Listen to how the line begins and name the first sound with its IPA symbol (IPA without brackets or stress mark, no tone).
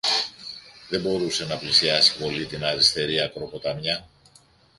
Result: ð